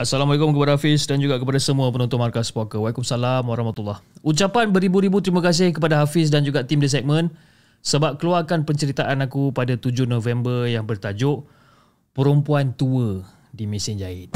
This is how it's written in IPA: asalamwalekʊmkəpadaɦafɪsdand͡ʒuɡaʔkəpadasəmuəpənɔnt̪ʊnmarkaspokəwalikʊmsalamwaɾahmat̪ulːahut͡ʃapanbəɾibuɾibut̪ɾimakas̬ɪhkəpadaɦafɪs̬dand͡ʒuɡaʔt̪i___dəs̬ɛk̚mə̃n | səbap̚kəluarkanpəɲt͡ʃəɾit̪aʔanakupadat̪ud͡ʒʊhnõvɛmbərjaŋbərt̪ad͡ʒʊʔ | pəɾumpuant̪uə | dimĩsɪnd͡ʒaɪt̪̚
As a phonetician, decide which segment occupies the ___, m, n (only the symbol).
m